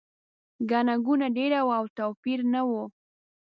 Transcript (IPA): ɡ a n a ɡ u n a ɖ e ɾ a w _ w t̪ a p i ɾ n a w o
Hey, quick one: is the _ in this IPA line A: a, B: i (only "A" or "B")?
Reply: A